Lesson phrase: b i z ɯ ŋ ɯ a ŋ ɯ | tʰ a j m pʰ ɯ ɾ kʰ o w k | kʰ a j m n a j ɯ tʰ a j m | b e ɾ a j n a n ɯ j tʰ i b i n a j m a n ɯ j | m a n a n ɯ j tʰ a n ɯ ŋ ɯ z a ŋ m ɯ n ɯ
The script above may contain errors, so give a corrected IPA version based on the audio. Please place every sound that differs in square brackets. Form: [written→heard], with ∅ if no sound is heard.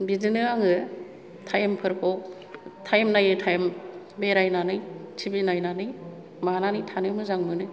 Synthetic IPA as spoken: b i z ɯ [ŋ→n] ɯ a ŋ ɯ | tʰ a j m pʰ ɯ ɾ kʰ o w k | [kʰ→tʰ] a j m n a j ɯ tʰ a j m | b e ɾ a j n a n ɯ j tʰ i b i n a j [m→n] a n ɯ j | m a n a n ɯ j tʰ a n ɯ [ŋ→m] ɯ z a ŋ m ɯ n ɯ